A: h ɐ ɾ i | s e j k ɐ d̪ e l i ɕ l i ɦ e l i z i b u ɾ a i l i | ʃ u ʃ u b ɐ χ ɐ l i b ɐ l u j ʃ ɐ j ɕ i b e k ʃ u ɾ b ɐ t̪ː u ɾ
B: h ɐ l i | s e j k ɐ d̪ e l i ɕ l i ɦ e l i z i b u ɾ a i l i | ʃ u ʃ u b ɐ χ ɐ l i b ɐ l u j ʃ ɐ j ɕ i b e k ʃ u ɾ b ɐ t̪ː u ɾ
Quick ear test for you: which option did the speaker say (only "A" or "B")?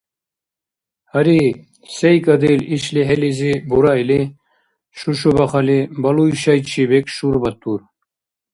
A